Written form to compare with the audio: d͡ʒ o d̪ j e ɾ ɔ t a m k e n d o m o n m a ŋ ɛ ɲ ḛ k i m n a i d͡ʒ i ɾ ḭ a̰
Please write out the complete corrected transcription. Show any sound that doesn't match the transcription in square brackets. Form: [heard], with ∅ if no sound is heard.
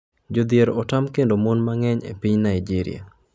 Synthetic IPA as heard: d͡ʒ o d̪ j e ɾ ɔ t a m k e n d o m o n m a ŋ ɛ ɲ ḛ [p] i [ɲ] n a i d͡ʒ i ɾ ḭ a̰